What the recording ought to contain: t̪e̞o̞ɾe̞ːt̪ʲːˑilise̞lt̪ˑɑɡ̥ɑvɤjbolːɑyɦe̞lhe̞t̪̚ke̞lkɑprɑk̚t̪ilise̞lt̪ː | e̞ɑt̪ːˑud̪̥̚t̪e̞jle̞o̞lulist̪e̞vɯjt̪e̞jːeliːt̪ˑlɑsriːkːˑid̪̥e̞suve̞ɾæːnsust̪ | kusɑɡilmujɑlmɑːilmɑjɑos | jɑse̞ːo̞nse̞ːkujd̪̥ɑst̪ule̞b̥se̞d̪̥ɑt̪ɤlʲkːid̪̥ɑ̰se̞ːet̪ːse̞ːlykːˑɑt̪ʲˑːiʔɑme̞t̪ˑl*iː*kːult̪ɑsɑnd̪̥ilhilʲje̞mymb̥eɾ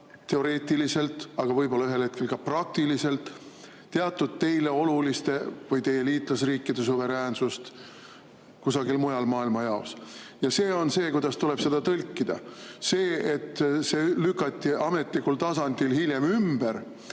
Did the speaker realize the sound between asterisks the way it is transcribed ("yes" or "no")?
no